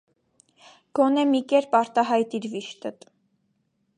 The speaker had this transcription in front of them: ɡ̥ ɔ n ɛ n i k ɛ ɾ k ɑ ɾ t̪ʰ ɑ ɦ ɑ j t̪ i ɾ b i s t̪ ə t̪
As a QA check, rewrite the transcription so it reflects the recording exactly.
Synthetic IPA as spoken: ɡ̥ ɔ n ɛ m i k ɛ ɾ p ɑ ɾ t̪ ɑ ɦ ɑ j t̪ i ɾ v i ʃ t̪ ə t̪